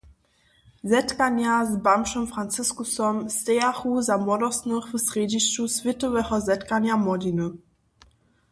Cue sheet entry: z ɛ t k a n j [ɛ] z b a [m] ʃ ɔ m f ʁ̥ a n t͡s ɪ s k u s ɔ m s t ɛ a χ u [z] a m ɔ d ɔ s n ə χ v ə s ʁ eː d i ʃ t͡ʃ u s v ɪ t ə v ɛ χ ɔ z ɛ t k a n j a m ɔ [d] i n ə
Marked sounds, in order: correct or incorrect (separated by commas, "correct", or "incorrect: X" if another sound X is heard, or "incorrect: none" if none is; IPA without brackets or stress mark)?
incorrect: a, correct, correct, correct